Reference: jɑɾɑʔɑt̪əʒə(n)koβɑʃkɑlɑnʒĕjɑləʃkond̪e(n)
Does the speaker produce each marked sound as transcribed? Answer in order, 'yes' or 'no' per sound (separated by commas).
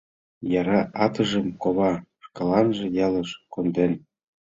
no, yes